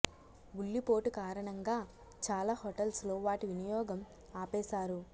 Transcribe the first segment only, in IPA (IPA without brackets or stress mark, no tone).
u